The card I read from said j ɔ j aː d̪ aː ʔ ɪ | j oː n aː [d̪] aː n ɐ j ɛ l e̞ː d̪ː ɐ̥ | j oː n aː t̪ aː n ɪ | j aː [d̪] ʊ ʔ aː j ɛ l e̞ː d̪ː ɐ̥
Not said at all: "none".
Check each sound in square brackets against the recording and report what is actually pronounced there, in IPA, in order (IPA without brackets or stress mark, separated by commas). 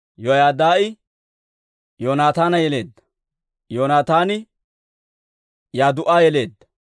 t̪, d̪